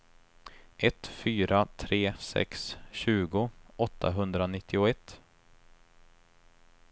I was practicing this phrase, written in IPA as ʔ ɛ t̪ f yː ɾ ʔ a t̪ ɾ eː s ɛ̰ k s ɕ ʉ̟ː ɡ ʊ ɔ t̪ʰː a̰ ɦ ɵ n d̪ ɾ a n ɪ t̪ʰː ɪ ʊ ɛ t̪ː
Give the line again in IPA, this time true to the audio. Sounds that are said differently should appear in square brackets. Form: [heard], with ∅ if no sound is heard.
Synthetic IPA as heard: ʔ ɛ t̪ f yː ɾ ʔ a [t̪ʰ] ɾ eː s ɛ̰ k s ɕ ʉ̟ː ɡ ʊ ɔ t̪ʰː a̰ ɦ ɵ n d̪ ɾ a n ɪ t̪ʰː ɪ ʊ ɛ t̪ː